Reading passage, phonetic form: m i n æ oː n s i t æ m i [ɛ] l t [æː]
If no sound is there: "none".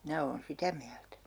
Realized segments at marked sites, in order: æ, æ

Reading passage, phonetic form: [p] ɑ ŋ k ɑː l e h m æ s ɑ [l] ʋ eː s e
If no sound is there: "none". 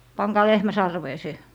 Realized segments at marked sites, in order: p, r

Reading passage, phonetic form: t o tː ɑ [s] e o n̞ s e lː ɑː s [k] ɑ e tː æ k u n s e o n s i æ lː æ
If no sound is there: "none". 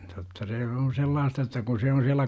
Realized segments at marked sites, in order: s, t

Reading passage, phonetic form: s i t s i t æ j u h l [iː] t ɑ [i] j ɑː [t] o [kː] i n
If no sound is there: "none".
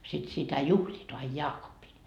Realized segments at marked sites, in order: iː, i, k, pː

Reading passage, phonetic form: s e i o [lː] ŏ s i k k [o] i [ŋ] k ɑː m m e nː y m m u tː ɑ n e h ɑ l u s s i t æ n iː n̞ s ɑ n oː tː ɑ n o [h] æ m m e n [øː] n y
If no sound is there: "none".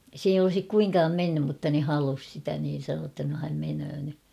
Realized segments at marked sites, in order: l, u, ŋ, h, øː

